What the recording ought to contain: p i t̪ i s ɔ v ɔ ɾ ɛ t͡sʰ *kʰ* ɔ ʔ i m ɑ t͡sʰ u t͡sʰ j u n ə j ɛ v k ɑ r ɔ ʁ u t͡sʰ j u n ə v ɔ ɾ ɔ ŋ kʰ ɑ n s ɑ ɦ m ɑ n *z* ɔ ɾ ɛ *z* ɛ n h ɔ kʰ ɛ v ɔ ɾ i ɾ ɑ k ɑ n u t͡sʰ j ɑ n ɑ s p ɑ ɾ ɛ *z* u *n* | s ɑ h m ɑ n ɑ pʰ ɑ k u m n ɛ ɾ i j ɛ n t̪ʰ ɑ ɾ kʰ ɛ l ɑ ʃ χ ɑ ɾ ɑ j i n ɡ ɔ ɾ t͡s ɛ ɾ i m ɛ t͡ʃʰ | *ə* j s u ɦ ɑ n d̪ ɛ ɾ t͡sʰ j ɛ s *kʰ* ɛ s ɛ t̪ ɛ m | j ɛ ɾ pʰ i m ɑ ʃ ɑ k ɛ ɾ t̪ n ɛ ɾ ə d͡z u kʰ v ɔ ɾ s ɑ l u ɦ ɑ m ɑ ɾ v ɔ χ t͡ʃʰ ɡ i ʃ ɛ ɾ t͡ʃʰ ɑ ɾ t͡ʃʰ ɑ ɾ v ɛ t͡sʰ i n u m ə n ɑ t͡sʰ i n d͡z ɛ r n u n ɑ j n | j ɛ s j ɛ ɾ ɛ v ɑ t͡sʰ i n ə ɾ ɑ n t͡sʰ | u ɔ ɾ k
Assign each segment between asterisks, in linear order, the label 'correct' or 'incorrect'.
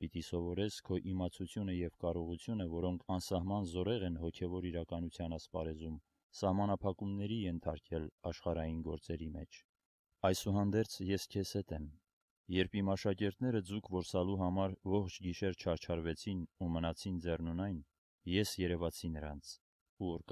correct, correct, incorrect, correct, incorrect, incorrect, correct

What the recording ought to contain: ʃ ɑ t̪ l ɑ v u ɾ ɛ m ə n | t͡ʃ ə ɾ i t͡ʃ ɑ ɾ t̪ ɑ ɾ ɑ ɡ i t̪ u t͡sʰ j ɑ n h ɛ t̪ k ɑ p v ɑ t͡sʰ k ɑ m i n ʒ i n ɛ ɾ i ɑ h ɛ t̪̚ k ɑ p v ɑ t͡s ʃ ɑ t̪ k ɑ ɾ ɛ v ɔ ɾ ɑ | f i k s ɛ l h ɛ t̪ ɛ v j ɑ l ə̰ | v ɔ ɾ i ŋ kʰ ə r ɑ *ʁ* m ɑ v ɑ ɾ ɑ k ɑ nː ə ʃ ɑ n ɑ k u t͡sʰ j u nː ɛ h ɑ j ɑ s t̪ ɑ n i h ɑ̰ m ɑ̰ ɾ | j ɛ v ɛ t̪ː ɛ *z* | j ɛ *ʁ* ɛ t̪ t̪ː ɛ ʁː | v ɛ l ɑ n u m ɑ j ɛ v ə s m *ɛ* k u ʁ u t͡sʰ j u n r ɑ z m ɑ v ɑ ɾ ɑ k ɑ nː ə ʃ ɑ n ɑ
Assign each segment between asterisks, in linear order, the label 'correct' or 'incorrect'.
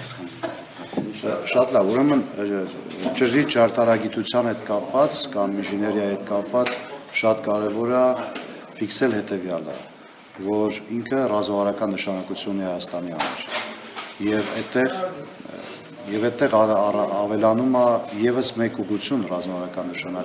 incorrect, incorrect, incorrect, correct

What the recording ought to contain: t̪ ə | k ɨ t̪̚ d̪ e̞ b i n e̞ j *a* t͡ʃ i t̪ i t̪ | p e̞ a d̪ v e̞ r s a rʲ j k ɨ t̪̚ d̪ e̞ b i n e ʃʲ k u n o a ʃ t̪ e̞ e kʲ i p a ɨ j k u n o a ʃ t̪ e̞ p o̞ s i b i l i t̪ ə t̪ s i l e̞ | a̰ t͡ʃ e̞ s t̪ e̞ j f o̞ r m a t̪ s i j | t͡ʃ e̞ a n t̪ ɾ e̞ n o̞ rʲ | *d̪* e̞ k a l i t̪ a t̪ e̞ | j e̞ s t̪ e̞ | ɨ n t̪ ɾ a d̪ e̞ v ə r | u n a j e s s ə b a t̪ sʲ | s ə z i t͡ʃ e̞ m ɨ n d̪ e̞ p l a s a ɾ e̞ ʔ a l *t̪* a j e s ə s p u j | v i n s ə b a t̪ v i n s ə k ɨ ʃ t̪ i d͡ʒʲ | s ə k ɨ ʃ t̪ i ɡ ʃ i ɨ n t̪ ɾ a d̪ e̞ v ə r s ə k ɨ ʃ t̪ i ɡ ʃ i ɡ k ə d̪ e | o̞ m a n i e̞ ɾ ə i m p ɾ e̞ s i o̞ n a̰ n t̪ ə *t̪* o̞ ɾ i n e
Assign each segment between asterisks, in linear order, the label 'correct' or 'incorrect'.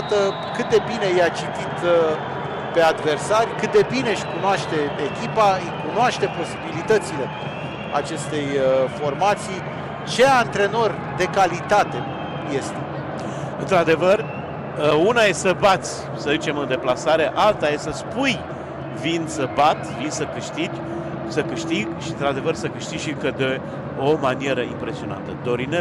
correct, correct, correct, incorrect

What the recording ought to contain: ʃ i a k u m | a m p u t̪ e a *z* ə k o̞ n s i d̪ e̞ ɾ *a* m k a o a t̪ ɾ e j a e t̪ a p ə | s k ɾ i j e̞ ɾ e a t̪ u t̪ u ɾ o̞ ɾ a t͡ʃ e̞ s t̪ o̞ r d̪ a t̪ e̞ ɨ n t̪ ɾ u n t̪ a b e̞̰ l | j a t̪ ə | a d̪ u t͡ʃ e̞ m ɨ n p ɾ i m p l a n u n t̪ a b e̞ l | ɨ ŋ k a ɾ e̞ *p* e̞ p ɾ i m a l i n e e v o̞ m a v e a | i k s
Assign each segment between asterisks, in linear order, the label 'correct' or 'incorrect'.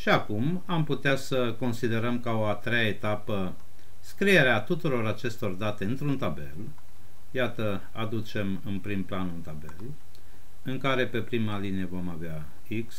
incorrect, incorrect, correct

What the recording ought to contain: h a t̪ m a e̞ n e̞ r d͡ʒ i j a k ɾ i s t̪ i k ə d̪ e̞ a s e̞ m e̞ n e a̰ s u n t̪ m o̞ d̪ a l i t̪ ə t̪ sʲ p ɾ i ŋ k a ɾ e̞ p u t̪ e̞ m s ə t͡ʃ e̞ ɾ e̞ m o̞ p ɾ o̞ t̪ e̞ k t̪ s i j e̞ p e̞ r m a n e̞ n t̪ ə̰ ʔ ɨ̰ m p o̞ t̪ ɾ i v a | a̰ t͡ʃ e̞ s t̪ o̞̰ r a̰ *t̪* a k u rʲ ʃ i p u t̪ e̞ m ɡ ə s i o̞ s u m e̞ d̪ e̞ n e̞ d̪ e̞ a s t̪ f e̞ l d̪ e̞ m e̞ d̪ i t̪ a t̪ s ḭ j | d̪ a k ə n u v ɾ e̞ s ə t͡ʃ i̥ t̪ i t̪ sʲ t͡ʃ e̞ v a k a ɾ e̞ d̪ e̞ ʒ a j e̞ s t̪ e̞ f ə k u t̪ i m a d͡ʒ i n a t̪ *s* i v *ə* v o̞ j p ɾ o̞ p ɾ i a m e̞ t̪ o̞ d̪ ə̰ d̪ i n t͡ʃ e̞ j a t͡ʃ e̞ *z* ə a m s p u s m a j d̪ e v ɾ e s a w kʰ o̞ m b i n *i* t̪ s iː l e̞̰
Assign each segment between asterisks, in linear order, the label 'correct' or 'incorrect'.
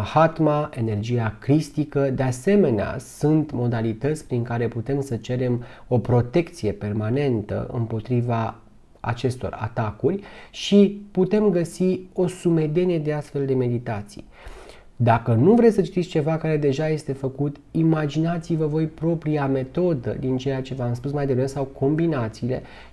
correct, correct, correct, incorrect, incorrect

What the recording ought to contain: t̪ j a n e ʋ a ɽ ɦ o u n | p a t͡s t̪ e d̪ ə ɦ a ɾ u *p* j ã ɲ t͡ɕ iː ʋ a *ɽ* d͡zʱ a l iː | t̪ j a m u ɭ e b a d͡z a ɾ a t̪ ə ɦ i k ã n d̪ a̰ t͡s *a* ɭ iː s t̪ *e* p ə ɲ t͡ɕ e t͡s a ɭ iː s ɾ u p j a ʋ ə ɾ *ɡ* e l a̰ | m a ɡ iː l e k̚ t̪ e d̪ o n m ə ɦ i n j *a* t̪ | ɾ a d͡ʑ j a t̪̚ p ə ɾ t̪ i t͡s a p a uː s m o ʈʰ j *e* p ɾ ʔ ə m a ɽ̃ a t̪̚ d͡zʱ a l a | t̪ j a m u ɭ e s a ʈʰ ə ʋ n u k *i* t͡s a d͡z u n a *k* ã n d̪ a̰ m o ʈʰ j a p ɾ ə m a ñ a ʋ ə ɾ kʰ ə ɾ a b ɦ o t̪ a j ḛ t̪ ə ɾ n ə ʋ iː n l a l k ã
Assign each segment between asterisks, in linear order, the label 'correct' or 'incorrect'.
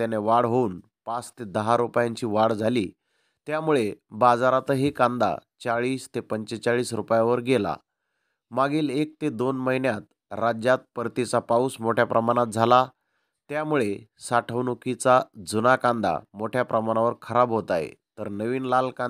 correct, correct, correct, correct, correct, correct, incorrect, correct, correct

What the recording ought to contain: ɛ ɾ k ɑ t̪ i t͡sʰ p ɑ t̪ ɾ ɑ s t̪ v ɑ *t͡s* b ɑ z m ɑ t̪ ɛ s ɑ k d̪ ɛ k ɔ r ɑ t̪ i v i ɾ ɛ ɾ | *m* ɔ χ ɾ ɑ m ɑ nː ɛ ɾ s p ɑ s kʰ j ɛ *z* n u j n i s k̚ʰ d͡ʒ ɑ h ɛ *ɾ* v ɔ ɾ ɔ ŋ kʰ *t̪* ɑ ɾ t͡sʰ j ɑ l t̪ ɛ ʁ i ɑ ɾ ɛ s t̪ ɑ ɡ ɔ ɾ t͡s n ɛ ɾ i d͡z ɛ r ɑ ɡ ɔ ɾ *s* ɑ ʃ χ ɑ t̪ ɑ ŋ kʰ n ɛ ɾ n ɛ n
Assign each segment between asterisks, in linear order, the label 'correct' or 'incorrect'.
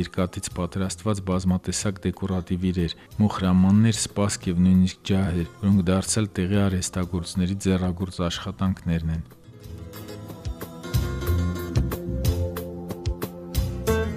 correct, correct, incorrect, correct, incorrect, incorrect

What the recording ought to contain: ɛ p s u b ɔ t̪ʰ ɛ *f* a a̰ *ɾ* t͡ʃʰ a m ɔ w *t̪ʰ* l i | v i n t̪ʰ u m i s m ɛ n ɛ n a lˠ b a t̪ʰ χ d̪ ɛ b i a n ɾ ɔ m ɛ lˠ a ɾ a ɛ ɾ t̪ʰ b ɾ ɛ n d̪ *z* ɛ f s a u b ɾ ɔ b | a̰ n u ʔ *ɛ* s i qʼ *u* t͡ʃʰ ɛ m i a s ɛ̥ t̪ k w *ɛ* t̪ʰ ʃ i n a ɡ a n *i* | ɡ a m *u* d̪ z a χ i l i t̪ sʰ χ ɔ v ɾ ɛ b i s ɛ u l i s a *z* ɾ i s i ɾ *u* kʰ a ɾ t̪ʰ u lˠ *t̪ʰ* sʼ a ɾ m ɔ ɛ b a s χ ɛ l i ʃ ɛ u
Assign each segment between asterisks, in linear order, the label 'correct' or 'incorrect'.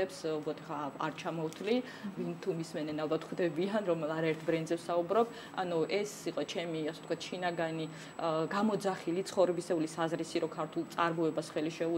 incorrect, correct, correct, correct, correct, incorrect, incorrect, correct, incorrect, correct, incorrect, incorrect

